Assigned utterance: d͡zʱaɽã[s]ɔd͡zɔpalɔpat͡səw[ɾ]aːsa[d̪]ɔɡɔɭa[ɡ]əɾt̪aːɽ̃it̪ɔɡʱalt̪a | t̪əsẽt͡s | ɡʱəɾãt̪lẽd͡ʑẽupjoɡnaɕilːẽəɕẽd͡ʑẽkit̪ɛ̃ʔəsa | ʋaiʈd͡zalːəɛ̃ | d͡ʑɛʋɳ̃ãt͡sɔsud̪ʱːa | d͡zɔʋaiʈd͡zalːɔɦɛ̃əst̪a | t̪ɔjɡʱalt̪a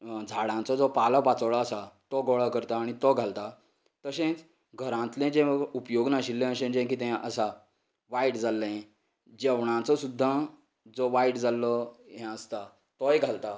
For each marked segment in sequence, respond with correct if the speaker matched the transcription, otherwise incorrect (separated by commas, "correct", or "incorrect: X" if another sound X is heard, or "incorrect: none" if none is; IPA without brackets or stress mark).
incorrect: t͡s, incorrect: ɭ, incorrect: t̪, incorrect: k